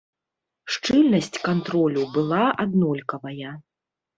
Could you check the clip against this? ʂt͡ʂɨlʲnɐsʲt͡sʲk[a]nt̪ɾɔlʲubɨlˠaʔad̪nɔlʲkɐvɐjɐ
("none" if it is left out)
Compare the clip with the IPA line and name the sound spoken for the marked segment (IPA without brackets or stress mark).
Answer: a